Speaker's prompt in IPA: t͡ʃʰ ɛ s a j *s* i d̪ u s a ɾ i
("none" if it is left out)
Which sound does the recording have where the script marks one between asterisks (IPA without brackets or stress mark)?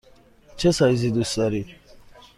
z